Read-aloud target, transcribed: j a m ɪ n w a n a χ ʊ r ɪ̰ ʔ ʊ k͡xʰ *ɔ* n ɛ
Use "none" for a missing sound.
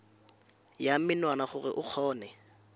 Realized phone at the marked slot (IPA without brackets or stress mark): ɔː